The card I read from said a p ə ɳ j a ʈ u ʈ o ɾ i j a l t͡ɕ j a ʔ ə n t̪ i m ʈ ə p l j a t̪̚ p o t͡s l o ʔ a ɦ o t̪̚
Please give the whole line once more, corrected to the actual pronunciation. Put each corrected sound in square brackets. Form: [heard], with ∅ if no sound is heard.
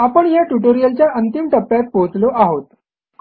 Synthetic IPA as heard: a p ə ɳ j a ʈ u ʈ o ɾ i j [ə] l t͡ɕ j a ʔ ə n t̪ i m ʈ ə p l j a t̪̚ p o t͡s l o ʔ a ɦ o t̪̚